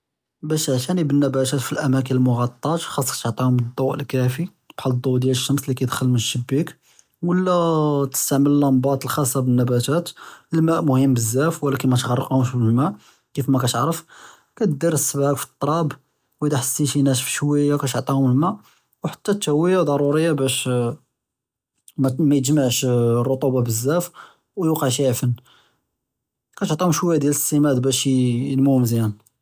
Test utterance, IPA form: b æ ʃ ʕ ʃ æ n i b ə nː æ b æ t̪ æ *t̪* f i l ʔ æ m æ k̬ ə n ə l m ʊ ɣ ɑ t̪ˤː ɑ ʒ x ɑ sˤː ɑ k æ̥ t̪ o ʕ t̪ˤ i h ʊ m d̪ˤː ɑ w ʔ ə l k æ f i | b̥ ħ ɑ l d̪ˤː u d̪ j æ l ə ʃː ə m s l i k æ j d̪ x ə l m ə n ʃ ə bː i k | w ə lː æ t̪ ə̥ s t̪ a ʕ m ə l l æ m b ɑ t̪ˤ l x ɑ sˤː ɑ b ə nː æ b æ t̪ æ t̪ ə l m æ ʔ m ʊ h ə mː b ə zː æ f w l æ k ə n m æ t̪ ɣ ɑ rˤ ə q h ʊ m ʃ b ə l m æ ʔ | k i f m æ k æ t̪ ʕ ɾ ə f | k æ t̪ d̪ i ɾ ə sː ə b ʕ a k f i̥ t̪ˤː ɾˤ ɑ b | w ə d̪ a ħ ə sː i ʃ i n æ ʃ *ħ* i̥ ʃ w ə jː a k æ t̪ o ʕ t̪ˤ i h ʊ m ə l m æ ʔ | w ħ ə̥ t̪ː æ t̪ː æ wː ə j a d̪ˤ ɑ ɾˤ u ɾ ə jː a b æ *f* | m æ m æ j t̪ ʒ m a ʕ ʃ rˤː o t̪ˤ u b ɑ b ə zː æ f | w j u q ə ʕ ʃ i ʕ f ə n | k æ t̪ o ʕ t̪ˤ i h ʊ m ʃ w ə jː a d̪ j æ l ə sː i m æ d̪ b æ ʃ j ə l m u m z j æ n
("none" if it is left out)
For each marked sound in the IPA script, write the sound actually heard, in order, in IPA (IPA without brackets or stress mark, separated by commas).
t̪, f, ʃ